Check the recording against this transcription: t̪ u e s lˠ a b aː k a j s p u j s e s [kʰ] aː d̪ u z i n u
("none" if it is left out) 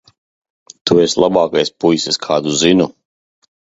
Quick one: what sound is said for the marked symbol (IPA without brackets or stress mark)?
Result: kʰ